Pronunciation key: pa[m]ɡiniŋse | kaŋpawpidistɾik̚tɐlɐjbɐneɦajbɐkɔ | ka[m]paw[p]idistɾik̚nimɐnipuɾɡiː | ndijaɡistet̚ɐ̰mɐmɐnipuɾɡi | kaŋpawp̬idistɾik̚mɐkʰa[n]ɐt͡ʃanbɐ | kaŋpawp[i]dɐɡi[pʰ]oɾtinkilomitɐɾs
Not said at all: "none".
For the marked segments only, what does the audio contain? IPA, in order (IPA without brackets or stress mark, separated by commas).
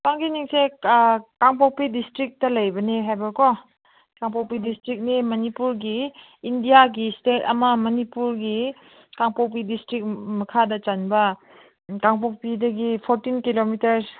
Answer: ŋ, ŋ, p, d, i, pʰ